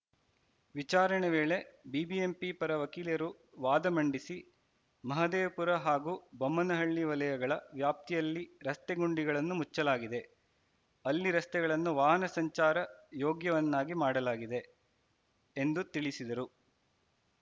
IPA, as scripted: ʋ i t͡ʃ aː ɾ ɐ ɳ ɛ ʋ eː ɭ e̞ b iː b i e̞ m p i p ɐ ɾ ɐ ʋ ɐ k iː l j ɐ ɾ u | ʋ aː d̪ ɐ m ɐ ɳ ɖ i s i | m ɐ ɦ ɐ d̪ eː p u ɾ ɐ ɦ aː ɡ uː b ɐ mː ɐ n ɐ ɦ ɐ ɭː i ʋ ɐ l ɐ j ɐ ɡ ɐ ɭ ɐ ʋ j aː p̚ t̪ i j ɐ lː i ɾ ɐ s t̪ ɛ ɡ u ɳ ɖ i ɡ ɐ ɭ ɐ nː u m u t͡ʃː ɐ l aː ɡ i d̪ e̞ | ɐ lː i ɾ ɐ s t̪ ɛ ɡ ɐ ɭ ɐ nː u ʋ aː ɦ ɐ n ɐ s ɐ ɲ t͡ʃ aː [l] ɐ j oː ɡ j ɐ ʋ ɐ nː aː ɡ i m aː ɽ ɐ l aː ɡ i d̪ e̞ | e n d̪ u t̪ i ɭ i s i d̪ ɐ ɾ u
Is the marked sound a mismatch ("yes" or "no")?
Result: yes